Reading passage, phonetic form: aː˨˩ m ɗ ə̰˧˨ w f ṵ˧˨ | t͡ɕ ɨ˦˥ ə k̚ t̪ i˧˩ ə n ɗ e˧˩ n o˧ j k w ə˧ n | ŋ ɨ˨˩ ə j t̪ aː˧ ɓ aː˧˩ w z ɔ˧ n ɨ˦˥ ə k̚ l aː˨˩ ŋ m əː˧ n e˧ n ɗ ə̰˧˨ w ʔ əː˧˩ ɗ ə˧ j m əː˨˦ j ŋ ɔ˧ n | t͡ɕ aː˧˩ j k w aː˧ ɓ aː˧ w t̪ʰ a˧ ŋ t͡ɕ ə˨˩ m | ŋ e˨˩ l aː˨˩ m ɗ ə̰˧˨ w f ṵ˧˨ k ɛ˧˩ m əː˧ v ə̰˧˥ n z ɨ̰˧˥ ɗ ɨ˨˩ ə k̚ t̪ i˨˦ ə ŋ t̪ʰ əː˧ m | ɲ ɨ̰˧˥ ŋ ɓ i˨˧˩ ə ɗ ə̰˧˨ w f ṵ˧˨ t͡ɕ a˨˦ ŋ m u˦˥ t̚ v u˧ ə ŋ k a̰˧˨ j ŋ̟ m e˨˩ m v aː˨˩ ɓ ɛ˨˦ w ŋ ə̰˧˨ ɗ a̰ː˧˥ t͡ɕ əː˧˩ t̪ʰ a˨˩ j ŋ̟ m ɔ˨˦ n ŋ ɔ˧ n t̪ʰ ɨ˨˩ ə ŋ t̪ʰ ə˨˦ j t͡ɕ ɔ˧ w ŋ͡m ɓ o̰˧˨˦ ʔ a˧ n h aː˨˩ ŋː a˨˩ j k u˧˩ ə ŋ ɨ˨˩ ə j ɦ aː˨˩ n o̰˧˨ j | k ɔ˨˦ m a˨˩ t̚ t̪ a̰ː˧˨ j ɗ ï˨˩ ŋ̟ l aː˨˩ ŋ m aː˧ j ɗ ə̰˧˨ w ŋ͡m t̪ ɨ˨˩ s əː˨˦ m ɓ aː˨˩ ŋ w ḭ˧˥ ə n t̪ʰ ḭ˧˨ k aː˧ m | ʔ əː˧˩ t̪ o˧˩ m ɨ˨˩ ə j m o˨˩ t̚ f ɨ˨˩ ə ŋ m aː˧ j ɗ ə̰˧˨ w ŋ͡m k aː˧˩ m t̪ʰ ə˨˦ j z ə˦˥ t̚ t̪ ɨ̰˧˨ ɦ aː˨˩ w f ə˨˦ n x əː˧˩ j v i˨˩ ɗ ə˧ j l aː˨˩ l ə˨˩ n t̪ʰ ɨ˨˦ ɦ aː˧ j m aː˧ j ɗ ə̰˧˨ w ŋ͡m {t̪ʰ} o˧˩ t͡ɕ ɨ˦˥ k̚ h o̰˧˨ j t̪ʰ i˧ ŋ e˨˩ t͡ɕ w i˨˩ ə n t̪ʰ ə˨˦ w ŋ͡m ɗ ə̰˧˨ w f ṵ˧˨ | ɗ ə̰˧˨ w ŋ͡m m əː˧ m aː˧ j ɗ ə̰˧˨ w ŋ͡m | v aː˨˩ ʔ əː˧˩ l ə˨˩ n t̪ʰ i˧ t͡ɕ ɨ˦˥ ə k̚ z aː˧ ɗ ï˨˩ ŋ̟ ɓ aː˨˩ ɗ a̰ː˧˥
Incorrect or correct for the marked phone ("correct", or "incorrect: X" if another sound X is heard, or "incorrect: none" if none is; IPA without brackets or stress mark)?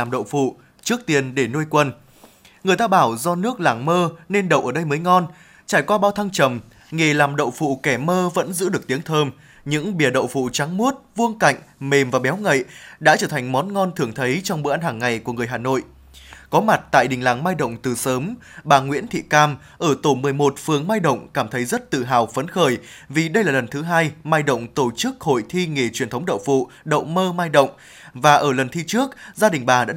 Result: incorrect: t̪